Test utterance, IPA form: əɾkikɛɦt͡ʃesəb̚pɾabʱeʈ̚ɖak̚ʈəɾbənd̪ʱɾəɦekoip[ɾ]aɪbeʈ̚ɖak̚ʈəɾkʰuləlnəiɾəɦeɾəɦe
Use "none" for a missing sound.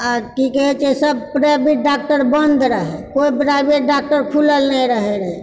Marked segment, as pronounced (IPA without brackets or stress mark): ɾ